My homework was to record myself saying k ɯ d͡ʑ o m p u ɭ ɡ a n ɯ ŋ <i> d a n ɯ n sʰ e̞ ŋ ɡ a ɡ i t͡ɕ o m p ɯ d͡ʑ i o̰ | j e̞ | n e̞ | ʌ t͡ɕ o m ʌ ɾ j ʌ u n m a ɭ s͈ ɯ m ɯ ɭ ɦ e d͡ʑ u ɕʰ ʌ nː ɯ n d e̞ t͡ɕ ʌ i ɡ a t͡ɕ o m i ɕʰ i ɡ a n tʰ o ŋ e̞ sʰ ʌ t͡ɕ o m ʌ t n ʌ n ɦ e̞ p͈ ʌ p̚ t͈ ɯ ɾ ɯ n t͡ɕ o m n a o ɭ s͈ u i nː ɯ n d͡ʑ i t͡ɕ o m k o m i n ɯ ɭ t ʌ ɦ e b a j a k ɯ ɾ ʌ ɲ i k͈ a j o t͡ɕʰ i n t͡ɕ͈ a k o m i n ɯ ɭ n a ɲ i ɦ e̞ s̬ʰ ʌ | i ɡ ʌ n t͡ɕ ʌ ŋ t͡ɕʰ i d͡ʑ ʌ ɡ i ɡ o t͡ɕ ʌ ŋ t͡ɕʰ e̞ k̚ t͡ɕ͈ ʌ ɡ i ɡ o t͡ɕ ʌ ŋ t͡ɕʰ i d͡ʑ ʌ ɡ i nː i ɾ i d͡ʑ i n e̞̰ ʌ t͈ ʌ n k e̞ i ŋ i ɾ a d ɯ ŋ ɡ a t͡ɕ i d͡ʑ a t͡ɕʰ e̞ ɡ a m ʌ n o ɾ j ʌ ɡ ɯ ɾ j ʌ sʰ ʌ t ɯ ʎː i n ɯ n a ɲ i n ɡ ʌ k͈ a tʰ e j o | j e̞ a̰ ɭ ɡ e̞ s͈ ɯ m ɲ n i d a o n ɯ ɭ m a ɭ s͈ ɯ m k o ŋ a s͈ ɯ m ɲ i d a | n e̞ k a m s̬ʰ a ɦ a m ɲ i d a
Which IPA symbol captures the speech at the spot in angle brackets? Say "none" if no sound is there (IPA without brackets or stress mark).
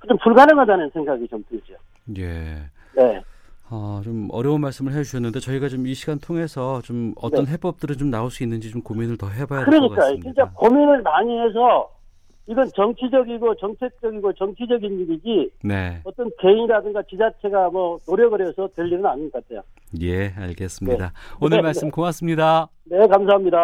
a